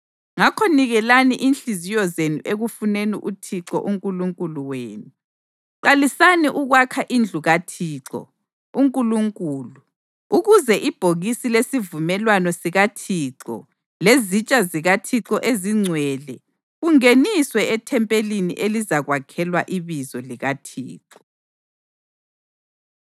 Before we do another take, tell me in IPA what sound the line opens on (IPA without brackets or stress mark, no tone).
ŋ